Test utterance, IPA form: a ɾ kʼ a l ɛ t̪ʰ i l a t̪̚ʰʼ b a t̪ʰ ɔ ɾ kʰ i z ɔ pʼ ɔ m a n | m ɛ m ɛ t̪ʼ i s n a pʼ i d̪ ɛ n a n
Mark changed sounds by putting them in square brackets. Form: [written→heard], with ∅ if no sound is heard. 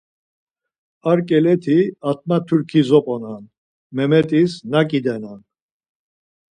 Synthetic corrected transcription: a ɾ kʼ [a→ɛ] l ɛ t̪ʰ i [l→∅] a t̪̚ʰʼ [b→m] a t̪ʰ [ɔ→u] ɾ kʰ i z ɔ pʼ ɔ [m→n] a n | m ɛ m ɛ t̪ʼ i s n a [pʼ→kʼ] i d̪ ɛ n a n